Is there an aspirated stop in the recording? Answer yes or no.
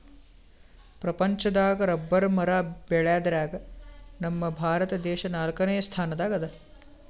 yes